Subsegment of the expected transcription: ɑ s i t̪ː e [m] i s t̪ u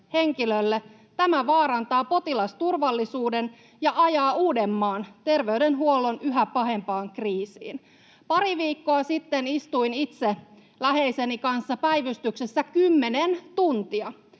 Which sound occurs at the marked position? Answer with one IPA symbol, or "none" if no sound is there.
n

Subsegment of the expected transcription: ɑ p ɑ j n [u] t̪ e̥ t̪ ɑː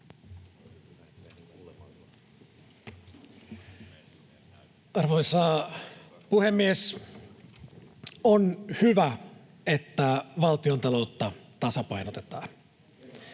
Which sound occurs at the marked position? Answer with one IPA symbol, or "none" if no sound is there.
o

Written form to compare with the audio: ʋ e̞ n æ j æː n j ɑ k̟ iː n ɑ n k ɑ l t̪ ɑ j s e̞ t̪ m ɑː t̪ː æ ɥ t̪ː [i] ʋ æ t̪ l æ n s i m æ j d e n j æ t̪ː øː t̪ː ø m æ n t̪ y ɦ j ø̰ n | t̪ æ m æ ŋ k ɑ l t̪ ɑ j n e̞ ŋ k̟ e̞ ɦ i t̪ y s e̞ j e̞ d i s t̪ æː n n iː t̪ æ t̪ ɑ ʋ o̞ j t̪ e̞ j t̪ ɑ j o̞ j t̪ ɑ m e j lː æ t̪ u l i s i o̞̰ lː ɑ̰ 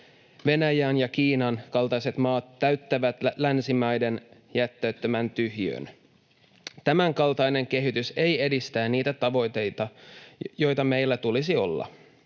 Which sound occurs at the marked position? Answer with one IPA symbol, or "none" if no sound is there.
æ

